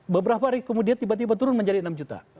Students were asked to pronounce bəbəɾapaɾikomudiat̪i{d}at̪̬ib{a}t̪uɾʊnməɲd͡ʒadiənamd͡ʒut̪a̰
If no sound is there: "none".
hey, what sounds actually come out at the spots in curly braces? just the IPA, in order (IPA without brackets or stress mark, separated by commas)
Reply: b, a